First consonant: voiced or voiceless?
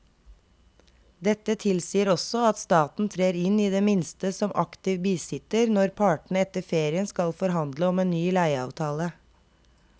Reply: voiced